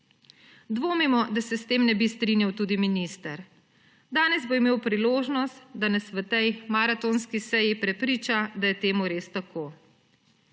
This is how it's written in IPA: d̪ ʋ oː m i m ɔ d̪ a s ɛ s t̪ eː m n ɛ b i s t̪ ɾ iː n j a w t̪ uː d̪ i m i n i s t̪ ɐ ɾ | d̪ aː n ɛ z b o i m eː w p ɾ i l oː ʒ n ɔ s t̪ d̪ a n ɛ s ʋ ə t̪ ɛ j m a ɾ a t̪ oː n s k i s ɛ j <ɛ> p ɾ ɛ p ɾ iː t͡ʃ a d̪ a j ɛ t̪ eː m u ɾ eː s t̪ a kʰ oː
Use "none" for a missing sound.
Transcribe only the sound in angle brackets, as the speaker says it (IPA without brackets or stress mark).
i